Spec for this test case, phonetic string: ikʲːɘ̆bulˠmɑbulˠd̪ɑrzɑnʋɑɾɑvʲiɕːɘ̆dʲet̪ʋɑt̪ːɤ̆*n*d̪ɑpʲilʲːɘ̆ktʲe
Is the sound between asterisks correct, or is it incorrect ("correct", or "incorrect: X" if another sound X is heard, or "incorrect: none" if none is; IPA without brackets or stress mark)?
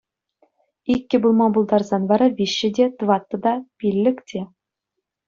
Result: incorrect: none